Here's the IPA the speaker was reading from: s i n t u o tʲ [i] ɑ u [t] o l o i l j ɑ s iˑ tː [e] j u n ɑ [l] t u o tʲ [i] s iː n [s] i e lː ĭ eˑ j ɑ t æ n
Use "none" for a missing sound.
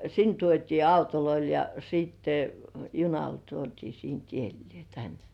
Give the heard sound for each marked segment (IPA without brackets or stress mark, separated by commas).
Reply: iː, t, e, l, iː, t